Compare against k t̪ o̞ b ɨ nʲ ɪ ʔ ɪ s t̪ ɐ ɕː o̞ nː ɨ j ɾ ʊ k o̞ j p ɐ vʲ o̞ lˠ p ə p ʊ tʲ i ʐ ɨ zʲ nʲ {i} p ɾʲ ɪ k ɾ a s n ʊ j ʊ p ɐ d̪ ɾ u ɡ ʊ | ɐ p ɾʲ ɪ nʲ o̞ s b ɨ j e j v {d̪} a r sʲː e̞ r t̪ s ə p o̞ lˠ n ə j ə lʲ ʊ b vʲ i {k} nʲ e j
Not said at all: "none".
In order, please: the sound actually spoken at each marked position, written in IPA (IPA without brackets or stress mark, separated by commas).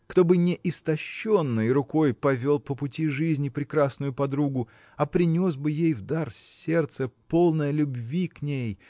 ɪ, d̪, k